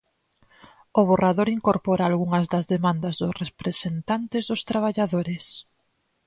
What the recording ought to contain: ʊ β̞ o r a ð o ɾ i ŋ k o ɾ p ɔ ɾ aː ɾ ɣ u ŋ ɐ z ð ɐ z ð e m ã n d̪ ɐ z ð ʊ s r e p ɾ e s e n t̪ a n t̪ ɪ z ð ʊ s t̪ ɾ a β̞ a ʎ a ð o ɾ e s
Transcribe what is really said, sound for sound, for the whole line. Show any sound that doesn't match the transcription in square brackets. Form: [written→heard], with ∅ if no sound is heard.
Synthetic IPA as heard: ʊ β̞ o r a ð o ɾ i ŋ k o ɾ p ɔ ɾ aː [ɾ→l] ɣ u ŋ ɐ z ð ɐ z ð e m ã n d̪ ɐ z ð ʊ s r e p ɾ e s e n t̪ a n t̪ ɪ z ð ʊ s t̪ ɾ a β̞ a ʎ a ð o ɾ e s